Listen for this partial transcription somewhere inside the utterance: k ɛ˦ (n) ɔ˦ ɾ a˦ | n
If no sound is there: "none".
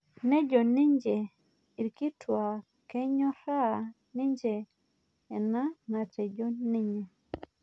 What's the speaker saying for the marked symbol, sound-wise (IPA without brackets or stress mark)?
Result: ɲ